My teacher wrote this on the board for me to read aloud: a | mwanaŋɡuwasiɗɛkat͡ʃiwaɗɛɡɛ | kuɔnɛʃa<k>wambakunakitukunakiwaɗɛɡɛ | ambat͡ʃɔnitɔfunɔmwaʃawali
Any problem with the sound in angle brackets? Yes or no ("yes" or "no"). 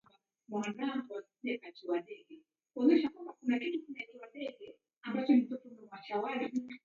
no